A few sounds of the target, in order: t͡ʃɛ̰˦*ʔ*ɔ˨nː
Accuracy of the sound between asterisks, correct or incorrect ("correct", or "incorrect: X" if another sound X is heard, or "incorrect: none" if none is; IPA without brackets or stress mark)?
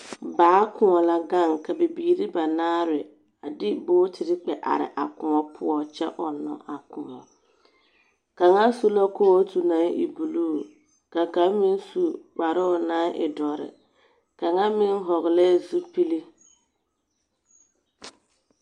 correct